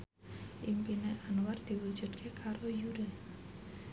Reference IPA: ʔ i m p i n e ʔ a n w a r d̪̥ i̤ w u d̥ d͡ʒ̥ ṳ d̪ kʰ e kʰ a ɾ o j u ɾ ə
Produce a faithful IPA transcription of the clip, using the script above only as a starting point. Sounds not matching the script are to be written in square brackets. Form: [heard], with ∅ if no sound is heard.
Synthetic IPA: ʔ i m p i n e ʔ a n w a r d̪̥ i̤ w u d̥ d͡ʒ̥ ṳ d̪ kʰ e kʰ a ɾ o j u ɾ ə